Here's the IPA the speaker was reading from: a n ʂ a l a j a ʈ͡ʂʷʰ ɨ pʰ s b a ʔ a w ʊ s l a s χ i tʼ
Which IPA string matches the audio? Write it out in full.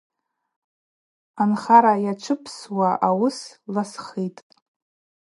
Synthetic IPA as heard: a n χ a ɾ a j a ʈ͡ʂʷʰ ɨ pʰ s w a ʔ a w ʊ s l a s χ i tʼ

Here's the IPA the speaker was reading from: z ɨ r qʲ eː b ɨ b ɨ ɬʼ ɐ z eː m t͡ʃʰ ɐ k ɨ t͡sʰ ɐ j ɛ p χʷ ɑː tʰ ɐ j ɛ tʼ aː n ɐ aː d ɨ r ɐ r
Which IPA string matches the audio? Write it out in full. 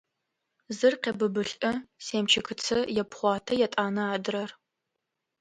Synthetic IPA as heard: z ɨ r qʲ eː b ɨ b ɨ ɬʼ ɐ s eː m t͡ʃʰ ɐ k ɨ t͡sʰ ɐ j ɛ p χʷ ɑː tʰ ɐ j ɛ tʼ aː n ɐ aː d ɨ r ɐ r

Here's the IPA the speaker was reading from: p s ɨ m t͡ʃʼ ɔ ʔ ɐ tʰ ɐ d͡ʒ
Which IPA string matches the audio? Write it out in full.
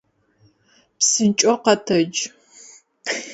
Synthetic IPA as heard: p s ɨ n t͡ʃʼ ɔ q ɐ tʰ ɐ d͡ʒ

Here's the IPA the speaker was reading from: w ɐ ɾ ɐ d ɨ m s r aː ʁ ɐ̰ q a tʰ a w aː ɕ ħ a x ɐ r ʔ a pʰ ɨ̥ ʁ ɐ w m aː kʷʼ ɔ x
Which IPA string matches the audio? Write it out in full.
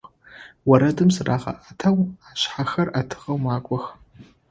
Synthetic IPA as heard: w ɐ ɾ ɐ d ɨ m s r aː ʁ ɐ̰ ʔ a tʰ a w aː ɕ ħ a x ɐ r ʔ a tʰ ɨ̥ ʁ ɐ w m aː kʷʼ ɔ x

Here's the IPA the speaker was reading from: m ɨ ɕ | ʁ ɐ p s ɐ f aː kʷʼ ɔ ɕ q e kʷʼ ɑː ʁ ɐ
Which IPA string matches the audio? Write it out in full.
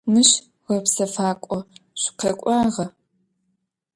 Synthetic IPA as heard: m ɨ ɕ | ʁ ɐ p s ɐ f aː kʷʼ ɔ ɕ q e kʷʼ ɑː ʁ ɐ

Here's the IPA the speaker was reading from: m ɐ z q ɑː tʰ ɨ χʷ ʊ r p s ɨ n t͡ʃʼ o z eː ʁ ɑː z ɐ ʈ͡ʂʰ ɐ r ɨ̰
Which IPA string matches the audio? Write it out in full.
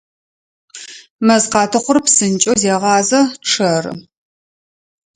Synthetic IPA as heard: m ɐ z q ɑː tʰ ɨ χʷ ʊ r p s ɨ n t͡ʃʼ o z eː ʁ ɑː z ɐ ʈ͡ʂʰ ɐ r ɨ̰

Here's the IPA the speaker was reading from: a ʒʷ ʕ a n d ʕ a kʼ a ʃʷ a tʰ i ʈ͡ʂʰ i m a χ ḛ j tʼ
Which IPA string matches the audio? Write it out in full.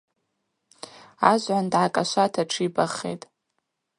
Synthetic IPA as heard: a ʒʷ ʕ a n d ʕ a kʼ a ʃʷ a tʰ a ʈ͡ʂʰ i b a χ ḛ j tʼ

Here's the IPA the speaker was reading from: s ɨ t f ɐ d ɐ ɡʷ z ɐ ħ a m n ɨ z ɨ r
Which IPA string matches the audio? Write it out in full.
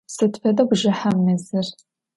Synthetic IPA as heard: s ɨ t f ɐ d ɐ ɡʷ ʒ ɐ ħ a m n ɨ z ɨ r

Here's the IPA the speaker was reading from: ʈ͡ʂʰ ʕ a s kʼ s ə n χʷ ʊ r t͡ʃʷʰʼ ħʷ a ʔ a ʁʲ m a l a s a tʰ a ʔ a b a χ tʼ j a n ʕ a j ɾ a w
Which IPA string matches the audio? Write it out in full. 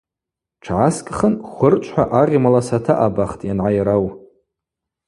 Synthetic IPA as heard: ʈ͡ʂʰ ʕ a s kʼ χ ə n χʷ ʊ r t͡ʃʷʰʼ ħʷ a ʔ a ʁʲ m a l a s a tʰ a ʔ a b a χ tʼ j a n ʕ a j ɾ a w

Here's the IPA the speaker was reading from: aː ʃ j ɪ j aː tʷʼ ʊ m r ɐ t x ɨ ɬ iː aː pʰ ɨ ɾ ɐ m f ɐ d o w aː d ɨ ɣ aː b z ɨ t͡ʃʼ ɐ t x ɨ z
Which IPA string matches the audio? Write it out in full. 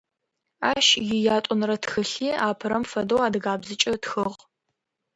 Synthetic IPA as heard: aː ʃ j ɪ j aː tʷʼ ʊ n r ɐ t x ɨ ɬ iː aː pʰ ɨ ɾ ɐ m f ɐ d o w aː d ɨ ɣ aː b z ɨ t͡ʃʼ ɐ t x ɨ ʁ

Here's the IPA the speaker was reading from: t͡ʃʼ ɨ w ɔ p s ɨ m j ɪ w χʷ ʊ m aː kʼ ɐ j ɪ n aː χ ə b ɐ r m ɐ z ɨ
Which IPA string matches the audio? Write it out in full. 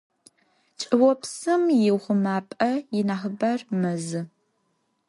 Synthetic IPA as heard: t͡ʃʼ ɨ w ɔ p s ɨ m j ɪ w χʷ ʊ m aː pʼ ɐ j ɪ n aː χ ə b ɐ r m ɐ z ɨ

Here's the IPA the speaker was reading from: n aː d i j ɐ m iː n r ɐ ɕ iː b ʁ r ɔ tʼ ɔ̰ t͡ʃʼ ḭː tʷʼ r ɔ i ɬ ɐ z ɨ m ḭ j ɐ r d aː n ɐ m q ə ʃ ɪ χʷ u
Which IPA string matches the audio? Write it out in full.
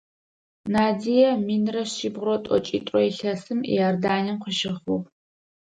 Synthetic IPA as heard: n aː d i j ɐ m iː n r ɐ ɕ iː b ʁ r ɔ tʼ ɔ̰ t͡ʃʼ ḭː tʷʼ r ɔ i ɬ ɐ s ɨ m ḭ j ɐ r d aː n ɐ m q ə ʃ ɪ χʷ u

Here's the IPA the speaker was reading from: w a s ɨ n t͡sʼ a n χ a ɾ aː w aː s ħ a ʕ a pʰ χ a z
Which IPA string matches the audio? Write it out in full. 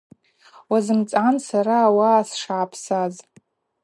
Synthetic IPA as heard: w a z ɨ m t͡sʼ a n s a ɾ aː w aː s ʂ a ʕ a pʰ s a z

